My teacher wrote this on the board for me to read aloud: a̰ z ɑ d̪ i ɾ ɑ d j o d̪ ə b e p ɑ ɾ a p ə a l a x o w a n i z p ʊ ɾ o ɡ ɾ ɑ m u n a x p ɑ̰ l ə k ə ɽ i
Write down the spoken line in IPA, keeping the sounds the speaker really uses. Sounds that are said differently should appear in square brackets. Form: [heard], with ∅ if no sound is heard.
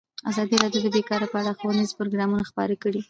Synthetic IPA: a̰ z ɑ d̪ i ɾ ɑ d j o d̪ ə b e [k] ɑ ɾ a p ə a [ɽ] a x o w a n i z p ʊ ɾ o ɡ ɾ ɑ m u n a x p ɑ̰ [ɾ] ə k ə ɽ i